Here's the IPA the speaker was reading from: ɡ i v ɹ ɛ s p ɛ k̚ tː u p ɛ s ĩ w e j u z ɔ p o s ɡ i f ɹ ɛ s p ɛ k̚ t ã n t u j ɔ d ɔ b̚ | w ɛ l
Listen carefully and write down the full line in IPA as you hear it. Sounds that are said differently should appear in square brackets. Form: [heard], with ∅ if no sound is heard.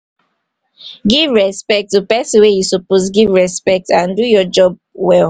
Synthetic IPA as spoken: ɡ i v ɹ ɛ s p ɛ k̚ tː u p ɛ s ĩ w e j u [s] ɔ p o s ɡ i [v] ɹ ɛ s p ɛ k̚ t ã n [d] u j ɔ [d͡ʒ] ɔ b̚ | w ɛ l